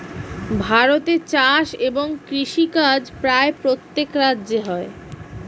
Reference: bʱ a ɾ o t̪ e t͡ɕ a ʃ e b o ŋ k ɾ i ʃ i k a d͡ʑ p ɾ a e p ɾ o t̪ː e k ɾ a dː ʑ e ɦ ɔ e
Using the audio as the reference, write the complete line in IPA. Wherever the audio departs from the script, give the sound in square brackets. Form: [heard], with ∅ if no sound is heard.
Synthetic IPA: bʱ a ɾ o t̪ e t͡ɕ a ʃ e b o ŋ k ɾ i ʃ i k a d͡ʑ p ɾ a e p ɾ o t̪ː e k ɾ a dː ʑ e ɦ ɔ e